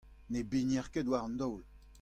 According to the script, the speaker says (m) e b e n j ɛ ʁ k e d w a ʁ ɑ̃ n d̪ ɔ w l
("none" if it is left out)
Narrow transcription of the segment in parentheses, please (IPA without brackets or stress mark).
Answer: n